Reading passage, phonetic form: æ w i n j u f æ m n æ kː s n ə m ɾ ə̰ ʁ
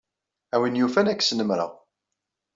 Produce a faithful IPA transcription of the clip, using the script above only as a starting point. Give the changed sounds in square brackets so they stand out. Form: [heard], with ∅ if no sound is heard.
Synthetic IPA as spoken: æ w i n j u f æ [∅] n æ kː s n ə m ɾ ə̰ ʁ